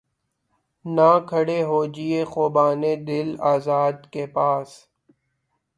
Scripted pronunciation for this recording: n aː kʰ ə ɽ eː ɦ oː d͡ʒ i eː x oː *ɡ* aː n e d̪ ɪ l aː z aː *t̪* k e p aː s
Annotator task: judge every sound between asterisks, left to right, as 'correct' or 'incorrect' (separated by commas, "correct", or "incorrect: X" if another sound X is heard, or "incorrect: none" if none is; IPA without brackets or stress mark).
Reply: incorrect: b, incorrect: d̪